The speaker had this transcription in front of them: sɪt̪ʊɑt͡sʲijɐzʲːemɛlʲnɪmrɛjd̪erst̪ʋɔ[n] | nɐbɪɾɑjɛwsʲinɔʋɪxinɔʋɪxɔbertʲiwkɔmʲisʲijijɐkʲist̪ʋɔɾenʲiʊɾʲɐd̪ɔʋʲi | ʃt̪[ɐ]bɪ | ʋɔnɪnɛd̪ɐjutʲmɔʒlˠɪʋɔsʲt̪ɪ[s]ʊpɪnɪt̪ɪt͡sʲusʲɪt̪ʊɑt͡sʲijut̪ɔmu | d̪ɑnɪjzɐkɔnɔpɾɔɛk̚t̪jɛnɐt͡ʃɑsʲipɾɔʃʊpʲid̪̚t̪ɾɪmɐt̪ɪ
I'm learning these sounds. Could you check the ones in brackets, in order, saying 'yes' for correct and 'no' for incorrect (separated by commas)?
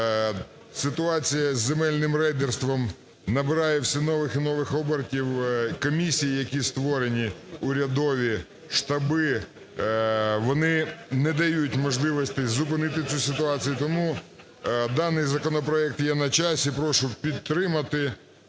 no, yes, no